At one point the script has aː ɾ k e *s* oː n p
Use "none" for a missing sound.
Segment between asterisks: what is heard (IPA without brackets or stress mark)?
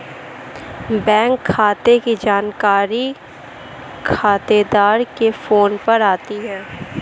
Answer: f